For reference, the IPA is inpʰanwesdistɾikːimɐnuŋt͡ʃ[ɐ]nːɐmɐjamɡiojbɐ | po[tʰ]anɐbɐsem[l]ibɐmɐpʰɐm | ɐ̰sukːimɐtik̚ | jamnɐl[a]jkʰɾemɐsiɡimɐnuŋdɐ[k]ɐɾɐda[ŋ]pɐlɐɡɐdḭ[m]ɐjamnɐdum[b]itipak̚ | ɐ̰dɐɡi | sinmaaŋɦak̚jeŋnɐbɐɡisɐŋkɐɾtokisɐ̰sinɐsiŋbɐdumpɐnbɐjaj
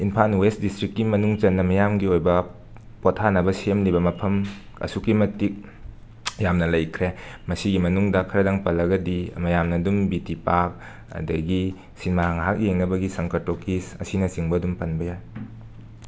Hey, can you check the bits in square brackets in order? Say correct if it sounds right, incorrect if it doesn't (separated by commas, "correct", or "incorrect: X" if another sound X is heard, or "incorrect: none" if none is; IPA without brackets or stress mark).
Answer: correct, correct, correct, incorrect: ɐ, incorrect: kʰ, correct, correct, correct